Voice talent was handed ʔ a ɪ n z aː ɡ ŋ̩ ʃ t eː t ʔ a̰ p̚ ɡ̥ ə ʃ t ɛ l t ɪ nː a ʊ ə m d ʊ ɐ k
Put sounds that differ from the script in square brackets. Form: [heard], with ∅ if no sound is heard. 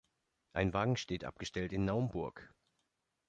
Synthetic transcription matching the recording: ʔ a ɪ n [v] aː ɡ ŋ̩ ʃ t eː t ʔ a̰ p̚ ɡ̥ ə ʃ t ɛ l t ɪ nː a ʊ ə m [b] ʊ ɐ k